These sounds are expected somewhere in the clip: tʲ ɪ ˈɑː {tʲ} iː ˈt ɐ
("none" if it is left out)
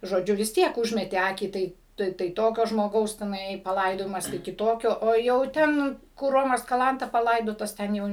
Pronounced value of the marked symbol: kʲ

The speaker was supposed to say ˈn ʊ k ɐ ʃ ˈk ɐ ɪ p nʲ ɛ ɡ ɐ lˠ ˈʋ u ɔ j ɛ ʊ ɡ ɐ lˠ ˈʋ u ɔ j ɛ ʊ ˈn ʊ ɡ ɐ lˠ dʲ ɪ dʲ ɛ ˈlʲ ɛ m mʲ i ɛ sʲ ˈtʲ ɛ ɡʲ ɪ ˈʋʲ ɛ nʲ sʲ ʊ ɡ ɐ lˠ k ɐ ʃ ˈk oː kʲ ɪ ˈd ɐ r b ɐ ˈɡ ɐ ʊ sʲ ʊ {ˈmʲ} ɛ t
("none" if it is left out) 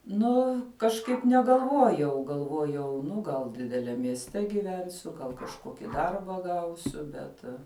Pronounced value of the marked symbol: bʲ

